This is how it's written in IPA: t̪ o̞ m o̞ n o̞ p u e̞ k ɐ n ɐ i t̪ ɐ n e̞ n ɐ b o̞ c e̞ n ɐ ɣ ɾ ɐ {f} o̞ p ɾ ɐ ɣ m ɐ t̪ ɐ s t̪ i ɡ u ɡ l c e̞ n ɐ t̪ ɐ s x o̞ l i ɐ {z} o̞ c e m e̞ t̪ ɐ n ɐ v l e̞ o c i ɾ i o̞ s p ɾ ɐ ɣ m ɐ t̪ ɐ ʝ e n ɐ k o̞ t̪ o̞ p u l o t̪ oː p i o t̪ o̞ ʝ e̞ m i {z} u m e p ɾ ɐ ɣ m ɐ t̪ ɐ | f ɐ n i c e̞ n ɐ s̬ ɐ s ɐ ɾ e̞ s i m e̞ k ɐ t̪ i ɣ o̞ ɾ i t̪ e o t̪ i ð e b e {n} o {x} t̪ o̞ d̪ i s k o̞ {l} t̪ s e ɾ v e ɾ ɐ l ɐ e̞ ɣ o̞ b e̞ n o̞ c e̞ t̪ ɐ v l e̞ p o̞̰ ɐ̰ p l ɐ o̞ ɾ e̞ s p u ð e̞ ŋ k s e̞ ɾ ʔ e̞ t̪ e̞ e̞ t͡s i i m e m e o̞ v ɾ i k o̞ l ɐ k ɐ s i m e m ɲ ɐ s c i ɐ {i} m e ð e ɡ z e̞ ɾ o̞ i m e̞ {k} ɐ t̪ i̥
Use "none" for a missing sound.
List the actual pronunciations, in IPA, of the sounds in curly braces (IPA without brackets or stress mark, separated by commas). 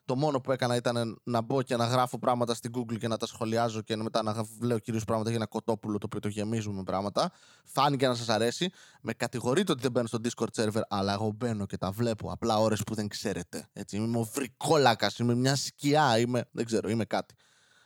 f, z, z, n, s, ɾ, i, k